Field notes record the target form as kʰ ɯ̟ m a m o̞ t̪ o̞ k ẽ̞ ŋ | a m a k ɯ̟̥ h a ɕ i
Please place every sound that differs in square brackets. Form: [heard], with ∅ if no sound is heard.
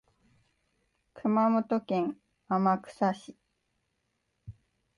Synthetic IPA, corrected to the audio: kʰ ɯ̟ m a m o̞ t̪ o̞ k ẽ̞ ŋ | a m a k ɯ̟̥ [s] a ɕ i